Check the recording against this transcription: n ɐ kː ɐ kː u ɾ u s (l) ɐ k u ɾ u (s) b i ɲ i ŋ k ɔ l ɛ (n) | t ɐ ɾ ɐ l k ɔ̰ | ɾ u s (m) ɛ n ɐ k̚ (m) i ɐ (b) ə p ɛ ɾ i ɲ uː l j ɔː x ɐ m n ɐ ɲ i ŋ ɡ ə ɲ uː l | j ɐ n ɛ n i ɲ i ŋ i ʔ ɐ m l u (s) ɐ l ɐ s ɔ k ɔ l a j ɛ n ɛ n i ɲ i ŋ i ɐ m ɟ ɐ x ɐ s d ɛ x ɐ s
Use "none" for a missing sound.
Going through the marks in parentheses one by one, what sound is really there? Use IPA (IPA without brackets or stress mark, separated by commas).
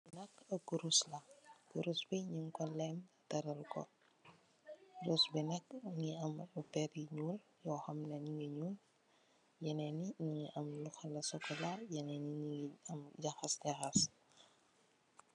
l, s, m, b, ŋ, m, x